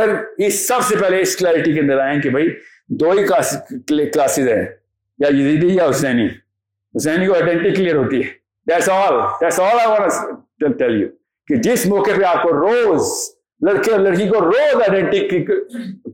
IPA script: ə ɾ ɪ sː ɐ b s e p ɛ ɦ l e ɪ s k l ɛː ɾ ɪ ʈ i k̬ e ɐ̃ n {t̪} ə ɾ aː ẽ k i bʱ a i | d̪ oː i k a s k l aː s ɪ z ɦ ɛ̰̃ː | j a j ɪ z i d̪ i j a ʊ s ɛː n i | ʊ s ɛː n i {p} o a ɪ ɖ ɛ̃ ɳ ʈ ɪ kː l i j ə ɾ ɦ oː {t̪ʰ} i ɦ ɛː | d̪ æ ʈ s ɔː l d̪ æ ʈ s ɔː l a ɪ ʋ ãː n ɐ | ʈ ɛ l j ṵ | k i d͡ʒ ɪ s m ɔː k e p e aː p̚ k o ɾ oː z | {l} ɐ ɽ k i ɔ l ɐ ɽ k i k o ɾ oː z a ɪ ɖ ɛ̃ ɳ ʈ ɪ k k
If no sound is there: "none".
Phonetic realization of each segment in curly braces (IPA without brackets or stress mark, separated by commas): d̪, k, t̪, l